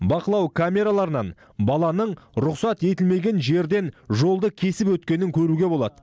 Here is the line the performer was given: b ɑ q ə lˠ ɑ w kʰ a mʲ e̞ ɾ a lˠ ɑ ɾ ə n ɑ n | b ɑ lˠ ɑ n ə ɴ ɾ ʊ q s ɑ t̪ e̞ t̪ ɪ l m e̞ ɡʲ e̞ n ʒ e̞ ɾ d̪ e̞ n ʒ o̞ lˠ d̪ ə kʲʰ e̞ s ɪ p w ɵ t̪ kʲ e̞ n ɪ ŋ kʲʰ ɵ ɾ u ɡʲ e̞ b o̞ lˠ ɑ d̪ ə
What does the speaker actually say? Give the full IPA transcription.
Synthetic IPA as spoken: b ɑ q ə lˠ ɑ w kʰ a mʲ e̞ ɾ a lˠ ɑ ɾ ə n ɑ n | b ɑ lˠ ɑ n ə ɴ ɾ ʊ q s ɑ t̪ e̞ t̪ ɪ l m e̞ ɡʲ e̞ n ʒ e̞ ɾ d̪ e̞ n ʒ o̞ lˠ d̪ ə kʲʰ e̞ s ɪ p w ɵ t̪ kʲ e̞ n ɪ ŋ kʲʰ ɵ ɾ u ɡʲ e̞ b o̞ lˠ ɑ d̪ ə

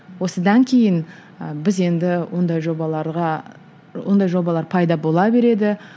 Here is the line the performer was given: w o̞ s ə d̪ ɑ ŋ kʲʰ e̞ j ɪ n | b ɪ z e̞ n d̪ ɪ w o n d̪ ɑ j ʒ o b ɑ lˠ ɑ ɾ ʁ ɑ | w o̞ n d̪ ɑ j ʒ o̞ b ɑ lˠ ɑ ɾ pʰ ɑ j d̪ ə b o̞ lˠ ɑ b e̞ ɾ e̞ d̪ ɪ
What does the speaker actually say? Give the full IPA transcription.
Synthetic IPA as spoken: w o̞ s ə d̪ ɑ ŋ kʲʰ e̞ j ɪ n | b ɪ z e̞ n d̪ ɪ w o n d̪ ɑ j ʒ o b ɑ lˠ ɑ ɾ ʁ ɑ | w o̞ n d̪ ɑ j ʒ o̞ b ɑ lˠ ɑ ɾ pʰ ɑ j d̪ ɑ b o̞ lˠ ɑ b e̞ ɾ e̞ d̪ ɪ

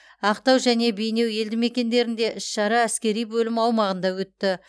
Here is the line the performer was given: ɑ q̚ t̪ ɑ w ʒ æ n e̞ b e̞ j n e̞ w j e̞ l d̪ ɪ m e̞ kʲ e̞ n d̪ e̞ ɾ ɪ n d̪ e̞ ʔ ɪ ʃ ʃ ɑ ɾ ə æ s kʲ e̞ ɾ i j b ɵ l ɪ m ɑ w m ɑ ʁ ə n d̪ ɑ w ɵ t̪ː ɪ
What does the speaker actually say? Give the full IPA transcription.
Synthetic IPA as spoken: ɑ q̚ t̪ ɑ w ʒ æ n e̞ b e̞ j n e̞ w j e̞ l d̪ ɪ m e̞ kʲ e̞ n d̪ e̞ ɾ ɪ n d̪ e̞ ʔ ɪ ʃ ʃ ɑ ɾ ɑ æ s kʲ e̞ ɾ i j b ɵ l ɪ m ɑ w m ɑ ʁ ə n d̪ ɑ w ɵ t̪ː ɪ

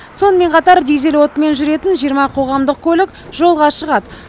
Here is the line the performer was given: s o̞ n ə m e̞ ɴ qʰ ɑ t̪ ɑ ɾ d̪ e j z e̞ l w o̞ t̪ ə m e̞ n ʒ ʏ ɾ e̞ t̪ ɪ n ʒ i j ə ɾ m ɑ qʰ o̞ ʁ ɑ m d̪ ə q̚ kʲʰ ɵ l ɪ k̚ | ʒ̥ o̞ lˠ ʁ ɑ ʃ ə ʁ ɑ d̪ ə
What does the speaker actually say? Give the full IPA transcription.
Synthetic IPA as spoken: s o̞ n ə m e̞ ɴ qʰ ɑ t̪ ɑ ɾ d̪ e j z e̞ l w o̞ t̪ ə m e̞ n ʒ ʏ ɾ e̞ t̪ ɪ n ʒ i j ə ɾ m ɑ qʰ o̞ ʁ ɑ m d̪ ə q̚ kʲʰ ɵ l ɪ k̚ | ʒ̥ o̞ lˠ ʁ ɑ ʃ ə ʁ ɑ d̪ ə

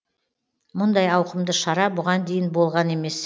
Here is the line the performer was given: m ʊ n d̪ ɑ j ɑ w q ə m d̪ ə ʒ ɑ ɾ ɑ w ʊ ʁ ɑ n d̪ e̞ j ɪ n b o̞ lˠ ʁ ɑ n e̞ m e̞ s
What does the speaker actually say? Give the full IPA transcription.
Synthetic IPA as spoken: m ʊ n d̪ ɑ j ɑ w q ə m d̪ ə ʃ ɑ ɾ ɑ b ʊ ʁ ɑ n d̪ e̞ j ɪ n b o̞ lˠ ʁ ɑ n e̞ m e̞ s

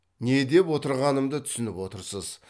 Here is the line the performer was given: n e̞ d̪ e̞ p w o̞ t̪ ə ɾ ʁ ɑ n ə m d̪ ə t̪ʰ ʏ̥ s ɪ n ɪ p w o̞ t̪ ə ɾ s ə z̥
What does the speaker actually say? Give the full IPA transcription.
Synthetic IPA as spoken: n e̞ d̪ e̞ p w o̞ t̪ ə ɾ ʁ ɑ n ə m d̪ ə t̪ʰ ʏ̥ s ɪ n ɪ p w o̞ t̪ ə ɾ s ə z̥

